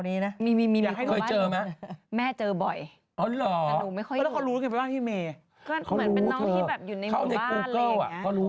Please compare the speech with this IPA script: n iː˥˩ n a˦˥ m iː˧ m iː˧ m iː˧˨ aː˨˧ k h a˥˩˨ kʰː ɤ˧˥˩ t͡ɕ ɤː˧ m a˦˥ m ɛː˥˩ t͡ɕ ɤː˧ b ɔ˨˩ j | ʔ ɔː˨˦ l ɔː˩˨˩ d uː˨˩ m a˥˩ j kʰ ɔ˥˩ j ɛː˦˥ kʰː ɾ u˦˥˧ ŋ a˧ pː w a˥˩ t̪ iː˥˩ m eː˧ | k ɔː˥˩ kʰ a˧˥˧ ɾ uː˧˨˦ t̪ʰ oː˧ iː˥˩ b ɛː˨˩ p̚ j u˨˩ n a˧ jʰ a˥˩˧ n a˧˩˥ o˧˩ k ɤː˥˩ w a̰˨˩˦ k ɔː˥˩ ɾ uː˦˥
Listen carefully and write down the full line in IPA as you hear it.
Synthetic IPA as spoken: n iː˦˥ n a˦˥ m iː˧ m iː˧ m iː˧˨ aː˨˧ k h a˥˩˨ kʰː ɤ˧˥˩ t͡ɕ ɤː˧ m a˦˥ m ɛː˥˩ t͡ɕ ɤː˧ b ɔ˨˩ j | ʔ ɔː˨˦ l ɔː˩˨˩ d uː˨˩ m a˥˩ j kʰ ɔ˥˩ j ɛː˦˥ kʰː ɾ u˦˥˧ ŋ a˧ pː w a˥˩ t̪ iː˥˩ m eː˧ | k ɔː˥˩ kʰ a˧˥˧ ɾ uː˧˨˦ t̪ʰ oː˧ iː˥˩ b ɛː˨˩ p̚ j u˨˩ n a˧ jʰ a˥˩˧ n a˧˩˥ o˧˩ k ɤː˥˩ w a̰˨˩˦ k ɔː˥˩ ɾ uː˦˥